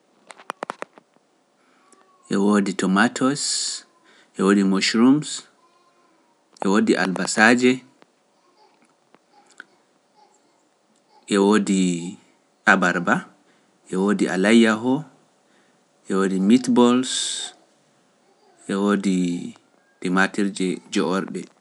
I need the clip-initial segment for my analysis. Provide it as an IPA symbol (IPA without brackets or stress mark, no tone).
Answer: ʔ